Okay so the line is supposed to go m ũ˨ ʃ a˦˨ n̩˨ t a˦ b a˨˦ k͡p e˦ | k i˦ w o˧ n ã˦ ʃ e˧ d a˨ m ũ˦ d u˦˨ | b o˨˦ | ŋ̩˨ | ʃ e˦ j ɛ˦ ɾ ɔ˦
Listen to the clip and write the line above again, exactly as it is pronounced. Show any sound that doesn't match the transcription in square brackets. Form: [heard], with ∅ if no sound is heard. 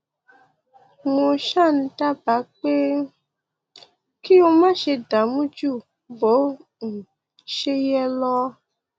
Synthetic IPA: m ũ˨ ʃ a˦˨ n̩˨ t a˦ b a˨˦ k͡p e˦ | k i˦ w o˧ [m] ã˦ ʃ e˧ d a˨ m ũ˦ [d͡ʒ] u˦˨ | b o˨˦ | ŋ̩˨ | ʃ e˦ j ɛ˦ [l] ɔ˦